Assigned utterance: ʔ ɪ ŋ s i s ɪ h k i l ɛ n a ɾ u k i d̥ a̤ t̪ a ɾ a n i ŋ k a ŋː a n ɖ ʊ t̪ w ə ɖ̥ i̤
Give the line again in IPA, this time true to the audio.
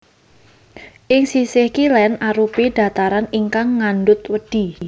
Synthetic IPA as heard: ʔ ɪ ŋ s i s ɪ h k i l ɛ n a ɾ u p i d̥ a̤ t̪ a ɾ a n i ŋ k a ŋː a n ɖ ʊ t̪ w ə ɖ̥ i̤